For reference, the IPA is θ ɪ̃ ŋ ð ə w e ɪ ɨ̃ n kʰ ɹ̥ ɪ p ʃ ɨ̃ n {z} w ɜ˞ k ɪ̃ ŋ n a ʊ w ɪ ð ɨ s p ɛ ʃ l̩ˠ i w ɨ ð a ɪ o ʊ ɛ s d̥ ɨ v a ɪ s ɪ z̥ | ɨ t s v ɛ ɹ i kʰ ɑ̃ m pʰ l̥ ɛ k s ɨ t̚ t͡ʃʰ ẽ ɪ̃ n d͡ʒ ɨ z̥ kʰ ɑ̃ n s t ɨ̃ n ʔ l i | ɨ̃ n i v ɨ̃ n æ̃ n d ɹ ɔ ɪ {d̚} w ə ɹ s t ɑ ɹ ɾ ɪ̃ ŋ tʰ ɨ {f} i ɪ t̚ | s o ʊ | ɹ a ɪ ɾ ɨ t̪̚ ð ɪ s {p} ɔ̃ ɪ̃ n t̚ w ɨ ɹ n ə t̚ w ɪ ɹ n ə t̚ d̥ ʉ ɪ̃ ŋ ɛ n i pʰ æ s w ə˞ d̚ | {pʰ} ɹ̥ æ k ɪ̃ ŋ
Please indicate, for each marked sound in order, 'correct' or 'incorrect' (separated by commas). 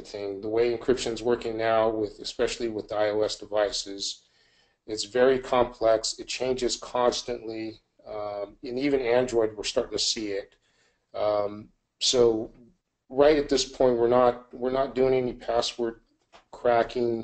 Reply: correct, correct, incorrect, incorrect, incorrect